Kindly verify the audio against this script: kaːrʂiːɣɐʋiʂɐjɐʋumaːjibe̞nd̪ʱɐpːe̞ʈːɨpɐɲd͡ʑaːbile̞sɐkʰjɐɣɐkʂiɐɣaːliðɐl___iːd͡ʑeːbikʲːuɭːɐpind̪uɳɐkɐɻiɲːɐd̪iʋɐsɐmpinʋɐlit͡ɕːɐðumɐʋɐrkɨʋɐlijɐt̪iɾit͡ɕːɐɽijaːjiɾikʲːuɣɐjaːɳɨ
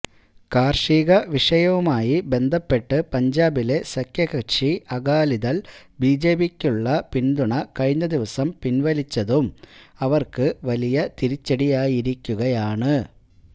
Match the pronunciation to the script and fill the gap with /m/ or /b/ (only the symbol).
b